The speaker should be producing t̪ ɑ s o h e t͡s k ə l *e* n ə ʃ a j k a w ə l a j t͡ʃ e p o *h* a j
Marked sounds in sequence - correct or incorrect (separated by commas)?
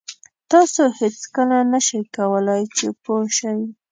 incorrect, incorrect